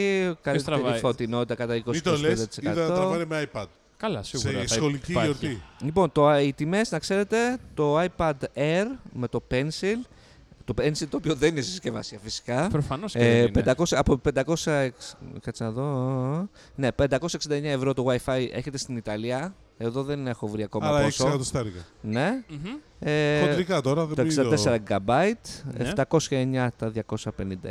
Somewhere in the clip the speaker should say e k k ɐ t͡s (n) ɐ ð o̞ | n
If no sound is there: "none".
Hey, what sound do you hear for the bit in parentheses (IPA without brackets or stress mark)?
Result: n